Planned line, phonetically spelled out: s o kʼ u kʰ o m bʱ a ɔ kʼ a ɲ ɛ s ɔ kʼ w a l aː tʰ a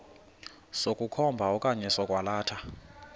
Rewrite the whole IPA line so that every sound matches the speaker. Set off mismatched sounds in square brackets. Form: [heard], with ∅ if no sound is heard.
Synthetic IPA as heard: s o kʼ u kʰ [ɔ] m bʱ a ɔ kʼ a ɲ ɛ s ɔ kʼ w a l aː tʰ a

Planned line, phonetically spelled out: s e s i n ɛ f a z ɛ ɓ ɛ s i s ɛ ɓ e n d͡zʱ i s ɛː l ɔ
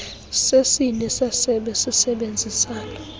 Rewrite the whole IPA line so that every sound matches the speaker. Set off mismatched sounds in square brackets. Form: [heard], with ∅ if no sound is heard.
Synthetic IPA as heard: s e s i n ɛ [s] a [s] ɛ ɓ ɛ s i s ɛ ɓ e n d͡zʱ i s [aː] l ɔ

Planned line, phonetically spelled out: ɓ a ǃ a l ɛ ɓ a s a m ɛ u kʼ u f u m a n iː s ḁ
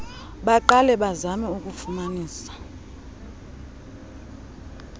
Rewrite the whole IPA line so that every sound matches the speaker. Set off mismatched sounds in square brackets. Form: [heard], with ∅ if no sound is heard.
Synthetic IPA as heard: ɓ a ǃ a l ɛ ɓ a [z] a m ɛ u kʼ u f u m a n iː s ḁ

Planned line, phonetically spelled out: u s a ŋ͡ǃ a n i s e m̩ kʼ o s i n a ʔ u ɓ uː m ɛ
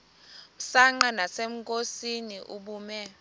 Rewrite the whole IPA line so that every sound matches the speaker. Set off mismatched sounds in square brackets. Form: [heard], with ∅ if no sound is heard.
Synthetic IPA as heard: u s a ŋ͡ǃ a n [a] s e m̩ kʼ o s i n [i] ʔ u ɓ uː m ɛ

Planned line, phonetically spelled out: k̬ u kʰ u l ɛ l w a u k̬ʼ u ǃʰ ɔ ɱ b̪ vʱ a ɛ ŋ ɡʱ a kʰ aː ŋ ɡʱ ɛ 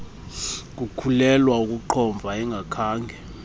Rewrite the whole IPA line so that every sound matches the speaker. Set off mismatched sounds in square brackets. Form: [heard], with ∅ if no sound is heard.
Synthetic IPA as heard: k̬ u kʰ u l ɛ l w a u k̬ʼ u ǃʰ ɔ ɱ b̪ vʱ a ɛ ŋ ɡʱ a kʰ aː ŋ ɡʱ ɛ

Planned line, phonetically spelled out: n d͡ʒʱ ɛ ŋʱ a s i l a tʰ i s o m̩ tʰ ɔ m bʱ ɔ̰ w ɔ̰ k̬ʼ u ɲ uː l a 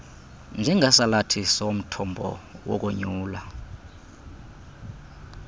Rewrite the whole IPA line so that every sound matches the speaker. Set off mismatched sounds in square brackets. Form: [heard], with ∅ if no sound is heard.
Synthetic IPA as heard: n d͡ʒʱ ɛ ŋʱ a s [a] l a tʰ i s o m̩ tʰ ɔ m bʱ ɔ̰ w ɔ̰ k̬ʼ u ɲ uː l a

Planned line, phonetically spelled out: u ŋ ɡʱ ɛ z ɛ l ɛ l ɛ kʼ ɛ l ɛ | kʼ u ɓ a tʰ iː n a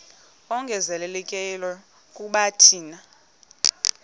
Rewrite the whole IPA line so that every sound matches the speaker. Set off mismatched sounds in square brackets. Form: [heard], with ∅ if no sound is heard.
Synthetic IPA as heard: [ɔ] ŋ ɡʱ ɛ z ɛ l ɛ l ɛ kʼ ɛ l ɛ | kʼ u ɓ a tʰ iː n a

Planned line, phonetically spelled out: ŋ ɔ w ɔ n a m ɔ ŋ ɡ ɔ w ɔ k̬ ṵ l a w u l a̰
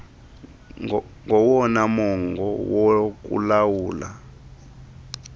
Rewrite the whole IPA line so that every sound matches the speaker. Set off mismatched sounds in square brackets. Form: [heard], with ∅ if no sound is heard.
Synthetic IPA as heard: ŋ ɔ w ɔ n a m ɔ ŋ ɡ ɔ w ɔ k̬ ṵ l a w [uː] l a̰

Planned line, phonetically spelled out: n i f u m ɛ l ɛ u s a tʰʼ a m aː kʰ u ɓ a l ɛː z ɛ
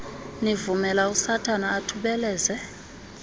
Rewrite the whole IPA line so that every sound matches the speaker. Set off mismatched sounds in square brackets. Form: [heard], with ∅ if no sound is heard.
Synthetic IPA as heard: n i [v] u m ɛ l [a] u s a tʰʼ a [n] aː [tʰ] u ɓ [ɛ] l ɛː z ɛ

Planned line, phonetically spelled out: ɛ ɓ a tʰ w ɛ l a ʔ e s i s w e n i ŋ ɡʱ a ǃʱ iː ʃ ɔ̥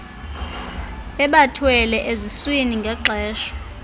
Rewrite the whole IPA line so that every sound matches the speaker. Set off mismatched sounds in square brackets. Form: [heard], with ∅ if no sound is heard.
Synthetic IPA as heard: ɛ ɓ a tʰ w ɛ l [ɛ] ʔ e [z] i s w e n i ŋ ɡʱ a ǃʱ [ɛː] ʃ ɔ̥

